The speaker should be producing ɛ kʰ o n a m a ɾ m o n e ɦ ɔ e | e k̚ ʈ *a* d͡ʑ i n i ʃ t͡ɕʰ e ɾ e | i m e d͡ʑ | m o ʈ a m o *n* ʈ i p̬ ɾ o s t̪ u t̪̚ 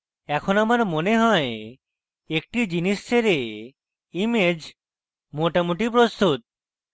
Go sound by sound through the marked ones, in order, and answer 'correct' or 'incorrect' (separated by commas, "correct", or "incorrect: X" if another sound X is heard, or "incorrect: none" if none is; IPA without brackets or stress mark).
incorrect: i, incorrect: none